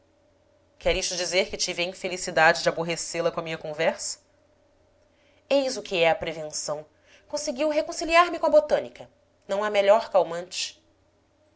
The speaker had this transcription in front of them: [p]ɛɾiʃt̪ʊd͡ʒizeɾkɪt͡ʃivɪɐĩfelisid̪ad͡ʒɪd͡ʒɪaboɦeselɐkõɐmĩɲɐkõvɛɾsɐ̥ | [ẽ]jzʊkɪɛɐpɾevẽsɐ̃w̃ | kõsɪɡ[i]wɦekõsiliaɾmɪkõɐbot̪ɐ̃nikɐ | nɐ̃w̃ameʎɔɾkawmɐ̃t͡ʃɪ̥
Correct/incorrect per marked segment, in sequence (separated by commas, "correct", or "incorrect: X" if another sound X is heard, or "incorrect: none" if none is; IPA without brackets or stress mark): incorrect: k, incorrect: e, correct